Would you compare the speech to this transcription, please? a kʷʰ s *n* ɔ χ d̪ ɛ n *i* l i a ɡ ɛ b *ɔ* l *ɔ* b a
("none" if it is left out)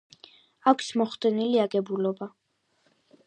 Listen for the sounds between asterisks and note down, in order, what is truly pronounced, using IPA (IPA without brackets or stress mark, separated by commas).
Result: m, i, u, ɔ